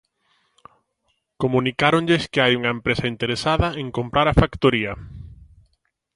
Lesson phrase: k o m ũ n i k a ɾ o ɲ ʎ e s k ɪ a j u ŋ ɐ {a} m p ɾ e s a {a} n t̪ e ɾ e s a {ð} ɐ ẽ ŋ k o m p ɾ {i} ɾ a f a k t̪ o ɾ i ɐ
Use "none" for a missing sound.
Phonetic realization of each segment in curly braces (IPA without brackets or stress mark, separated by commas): e, i, ð, a